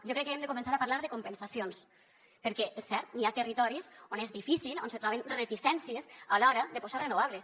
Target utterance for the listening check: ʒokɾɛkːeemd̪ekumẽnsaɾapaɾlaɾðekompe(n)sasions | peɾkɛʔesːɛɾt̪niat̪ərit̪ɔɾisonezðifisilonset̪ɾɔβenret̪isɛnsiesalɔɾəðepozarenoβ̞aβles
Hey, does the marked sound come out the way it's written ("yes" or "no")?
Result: yes